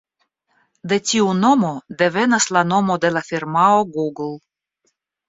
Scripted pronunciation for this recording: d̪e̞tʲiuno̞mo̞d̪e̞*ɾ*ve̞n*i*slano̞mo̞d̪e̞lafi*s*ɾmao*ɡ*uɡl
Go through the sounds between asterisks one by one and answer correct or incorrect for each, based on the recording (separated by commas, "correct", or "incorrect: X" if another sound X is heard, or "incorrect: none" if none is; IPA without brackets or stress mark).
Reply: incorrect: none, incorrect: a, incorrect: none, correct